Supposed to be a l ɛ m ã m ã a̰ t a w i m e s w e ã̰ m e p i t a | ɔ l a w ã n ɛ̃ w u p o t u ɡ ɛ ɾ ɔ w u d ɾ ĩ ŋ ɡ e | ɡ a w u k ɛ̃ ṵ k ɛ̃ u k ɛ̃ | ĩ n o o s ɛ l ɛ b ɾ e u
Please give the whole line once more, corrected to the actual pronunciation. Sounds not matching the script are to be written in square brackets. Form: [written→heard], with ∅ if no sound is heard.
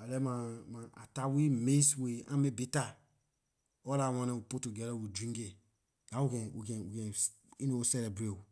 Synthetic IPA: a l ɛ m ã m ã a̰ t a w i m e s w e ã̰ m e [p→b] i t a | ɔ l a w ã n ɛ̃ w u p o t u ɡ ɛ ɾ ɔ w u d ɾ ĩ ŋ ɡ e | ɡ a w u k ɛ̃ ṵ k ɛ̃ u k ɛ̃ | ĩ n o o s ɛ l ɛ b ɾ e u